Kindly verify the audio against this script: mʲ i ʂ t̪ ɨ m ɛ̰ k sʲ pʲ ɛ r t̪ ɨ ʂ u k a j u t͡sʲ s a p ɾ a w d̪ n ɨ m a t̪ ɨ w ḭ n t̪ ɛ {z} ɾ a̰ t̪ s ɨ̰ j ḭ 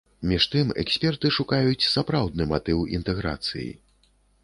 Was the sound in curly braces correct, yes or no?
no